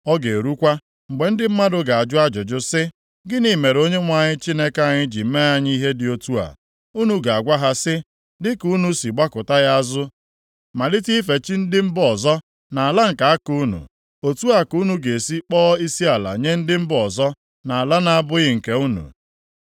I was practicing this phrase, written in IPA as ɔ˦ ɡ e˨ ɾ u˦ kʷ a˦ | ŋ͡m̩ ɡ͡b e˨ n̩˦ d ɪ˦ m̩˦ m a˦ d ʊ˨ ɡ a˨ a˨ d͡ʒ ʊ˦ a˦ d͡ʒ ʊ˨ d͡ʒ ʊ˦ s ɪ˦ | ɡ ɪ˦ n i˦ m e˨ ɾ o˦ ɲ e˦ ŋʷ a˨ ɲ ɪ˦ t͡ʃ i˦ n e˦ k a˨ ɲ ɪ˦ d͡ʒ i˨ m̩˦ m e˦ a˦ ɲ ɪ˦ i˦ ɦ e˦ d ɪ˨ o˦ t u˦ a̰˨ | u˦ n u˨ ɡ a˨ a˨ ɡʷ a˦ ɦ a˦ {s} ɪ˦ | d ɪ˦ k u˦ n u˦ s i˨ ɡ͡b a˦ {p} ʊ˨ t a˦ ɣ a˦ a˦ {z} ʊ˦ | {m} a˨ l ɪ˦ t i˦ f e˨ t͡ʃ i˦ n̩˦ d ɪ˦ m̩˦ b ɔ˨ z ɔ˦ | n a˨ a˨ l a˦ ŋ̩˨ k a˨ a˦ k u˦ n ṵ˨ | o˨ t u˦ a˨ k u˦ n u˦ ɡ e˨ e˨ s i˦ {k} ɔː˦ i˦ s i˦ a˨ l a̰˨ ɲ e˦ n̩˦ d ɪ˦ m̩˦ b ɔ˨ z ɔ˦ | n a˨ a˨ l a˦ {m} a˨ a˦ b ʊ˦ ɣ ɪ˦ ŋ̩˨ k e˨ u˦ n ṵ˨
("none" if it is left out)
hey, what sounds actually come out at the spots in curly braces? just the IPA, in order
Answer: s, k, z, m, k͡p, n

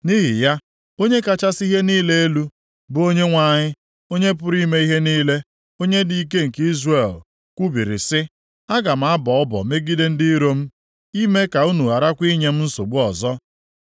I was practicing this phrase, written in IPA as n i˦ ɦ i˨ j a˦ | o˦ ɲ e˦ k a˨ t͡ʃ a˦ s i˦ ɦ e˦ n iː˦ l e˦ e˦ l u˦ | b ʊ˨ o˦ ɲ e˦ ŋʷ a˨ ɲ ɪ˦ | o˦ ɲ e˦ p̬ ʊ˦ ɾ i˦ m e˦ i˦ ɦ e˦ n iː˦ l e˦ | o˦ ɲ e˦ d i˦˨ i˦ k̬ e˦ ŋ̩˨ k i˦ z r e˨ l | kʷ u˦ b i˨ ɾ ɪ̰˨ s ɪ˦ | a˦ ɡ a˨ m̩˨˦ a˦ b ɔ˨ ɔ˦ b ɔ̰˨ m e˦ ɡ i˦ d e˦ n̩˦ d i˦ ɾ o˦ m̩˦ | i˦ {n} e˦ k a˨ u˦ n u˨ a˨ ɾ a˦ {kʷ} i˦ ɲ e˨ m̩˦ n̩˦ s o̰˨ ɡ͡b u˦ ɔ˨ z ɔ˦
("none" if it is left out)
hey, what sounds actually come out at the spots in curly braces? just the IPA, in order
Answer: m, kʷ

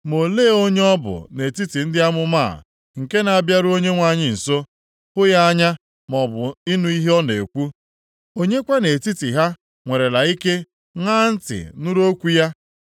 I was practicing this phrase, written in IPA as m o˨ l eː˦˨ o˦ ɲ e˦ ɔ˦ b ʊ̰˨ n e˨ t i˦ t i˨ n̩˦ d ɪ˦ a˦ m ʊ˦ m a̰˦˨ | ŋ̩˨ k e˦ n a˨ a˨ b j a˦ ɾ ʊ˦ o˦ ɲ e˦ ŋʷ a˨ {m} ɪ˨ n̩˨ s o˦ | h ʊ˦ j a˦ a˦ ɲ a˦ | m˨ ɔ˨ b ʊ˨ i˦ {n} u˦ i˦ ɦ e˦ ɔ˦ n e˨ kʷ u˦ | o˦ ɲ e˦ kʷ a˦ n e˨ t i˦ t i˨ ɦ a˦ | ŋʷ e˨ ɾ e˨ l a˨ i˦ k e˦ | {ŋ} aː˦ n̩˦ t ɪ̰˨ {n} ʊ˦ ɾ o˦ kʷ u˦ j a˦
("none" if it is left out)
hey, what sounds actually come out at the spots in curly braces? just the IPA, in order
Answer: ɲ, n, ŋ, n

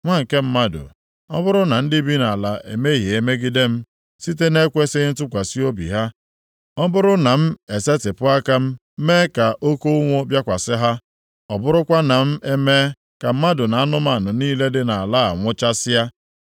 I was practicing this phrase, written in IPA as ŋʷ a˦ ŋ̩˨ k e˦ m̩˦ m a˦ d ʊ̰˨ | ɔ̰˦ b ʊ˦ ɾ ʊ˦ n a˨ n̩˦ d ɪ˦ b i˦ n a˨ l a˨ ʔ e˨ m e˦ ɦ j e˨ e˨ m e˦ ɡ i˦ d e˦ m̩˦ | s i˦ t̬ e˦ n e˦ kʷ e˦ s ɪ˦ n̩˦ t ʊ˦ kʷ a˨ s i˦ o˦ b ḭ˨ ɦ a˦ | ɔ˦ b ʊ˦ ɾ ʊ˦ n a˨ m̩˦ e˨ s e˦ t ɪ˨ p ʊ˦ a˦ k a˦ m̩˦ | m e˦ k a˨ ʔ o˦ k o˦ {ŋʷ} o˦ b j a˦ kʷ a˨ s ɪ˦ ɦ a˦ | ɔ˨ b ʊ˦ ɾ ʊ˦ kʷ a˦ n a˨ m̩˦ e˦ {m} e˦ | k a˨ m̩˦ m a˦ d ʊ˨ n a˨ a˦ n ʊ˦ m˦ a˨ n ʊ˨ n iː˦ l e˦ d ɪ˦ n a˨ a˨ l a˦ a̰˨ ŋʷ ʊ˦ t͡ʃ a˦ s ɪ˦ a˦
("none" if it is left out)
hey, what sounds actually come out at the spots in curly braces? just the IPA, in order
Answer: ŋʷ, m

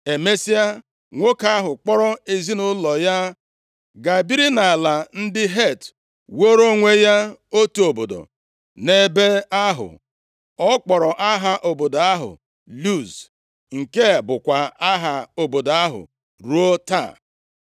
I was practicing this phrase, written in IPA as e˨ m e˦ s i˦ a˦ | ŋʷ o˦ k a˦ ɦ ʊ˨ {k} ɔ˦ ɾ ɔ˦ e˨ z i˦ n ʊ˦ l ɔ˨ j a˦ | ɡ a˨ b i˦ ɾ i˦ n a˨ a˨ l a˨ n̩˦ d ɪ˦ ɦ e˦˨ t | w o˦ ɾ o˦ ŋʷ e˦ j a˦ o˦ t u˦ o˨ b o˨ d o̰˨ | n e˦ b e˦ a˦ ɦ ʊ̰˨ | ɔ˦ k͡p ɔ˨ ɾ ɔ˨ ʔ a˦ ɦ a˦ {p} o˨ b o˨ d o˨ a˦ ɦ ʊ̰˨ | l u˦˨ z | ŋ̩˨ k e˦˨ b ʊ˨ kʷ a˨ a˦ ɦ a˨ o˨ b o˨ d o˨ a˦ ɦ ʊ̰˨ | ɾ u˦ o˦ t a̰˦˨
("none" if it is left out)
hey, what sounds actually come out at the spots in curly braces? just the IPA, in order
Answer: k͡p, ʔ

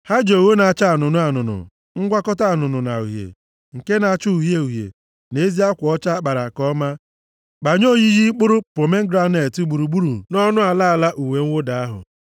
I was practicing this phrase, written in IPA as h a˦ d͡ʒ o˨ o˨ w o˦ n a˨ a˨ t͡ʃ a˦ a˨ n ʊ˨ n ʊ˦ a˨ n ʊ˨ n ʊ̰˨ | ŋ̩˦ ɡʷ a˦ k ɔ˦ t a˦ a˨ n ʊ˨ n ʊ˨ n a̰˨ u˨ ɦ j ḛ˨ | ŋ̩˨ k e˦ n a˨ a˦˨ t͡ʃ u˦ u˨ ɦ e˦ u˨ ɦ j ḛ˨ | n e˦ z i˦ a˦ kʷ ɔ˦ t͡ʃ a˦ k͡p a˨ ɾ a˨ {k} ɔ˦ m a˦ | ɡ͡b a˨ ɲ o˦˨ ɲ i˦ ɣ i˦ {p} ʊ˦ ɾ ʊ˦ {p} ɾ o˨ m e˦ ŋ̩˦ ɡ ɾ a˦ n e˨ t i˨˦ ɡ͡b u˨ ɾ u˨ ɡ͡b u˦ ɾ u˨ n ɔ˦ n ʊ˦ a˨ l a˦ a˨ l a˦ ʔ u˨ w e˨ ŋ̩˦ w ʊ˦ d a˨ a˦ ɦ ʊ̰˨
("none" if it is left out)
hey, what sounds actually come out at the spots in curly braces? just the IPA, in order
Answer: k, k͡p, p

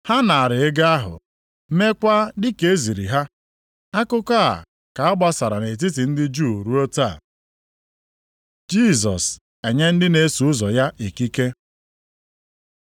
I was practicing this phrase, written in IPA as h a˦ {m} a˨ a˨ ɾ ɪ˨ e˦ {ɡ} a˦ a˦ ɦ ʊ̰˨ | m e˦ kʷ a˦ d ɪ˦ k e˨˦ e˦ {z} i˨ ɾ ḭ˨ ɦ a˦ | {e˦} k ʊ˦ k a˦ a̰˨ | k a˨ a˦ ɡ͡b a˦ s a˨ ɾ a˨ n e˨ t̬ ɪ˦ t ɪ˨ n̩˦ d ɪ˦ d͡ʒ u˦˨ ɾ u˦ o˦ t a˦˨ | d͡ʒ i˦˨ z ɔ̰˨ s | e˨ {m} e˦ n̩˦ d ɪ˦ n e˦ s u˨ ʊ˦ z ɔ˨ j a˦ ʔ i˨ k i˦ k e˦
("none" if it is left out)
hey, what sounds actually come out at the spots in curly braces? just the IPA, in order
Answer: n, ɡ, z, a˦, ɲ

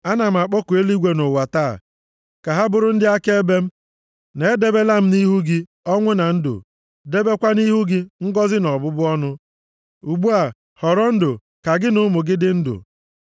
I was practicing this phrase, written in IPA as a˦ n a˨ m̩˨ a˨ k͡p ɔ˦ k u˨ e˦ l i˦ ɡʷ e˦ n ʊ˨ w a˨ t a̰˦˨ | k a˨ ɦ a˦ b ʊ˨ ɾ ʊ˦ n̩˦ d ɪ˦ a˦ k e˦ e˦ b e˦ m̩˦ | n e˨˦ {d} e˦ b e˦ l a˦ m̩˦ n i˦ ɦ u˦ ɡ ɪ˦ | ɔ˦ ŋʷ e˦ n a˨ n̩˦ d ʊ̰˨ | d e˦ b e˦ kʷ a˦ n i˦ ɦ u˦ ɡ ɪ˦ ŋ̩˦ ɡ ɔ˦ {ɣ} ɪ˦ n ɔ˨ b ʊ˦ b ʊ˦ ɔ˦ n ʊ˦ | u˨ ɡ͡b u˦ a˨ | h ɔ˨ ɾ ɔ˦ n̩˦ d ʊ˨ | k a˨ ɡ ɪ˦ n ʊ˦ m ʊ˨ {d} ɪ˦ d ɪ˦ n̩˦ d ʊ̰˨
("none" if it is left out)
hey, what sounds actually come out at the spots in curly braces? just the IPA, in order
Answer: d, z, ɡ

